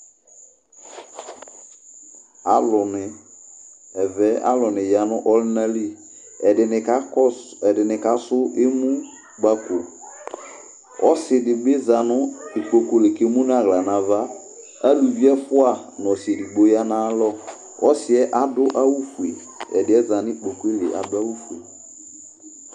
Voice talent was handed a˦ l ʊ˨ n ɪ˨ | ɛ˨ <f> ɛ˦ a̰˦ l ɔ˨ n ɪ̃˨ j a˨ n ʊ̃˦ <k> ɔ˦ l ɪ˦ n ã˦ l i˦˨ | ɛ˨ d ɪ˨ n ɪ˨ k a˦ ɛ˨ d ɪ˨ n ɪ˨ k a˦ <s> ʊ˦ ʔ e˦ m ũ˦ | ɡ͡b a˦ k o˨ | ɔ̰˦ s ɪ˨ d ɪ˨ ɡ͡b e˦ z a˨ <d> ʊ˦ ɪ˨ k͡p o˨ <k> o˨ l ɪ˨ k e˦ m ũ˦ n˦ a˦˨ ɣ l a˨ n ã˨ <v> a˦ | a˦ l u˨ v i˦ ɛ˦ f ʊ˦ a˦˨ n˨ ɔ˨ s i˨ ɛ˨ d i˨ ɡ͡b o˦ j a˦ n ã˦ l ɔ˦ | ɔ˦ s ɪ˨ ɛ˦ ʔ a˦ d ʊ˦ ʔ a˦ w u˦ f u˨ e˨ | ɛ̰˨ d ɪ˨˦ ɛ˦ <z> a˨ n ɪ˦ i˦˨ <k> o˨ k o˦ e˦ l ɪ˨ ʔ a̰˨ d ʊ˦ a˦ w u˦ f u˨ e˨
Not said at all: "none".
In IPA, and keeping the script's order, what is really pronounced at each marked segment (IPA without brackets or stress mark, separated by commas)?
v, ʔ, s, n, k, v, z, k͡p